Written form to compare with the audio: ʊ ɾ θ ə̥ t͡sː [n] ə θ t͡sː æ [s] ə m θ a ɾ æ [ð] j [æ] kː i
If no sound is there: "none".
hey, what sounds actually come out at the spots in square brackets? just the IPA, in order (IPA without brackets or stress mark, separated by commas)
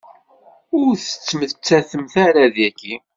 m, θ, ð, æ